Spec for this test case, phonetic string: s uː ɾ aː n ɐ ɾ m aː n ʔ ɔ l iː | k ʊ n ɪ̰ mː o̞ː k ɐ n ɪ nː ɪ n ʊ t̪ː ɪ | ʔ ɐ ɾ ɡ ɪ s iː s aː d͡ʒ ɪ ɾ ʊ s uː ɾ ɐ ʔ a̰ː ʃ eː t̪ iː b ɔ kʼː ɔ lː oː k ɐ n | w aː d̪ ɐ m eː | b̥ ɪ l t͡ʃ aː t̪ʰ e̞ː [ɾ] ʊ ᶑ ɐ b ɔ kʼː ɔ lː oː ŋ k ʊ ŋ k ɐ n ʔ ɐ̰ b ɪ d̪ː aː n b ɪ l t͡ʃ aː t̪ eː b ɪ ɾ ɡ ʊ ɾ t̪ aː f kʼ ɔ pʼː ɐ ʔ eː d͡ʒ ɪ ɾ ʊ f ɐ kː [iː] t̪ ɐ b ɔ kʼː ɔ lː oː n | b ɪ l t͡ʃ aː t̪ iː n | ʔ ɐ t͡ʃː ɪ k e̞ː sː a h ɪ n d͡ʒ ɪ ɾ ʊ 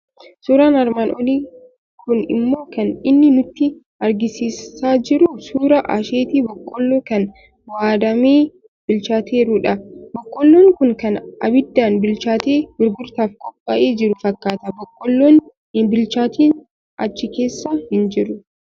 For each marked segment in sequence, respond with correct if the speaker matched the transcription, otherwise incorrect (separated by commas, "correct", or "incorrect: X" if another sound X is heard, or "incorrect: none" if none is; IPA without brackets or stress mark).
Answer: correct, incorrect: aː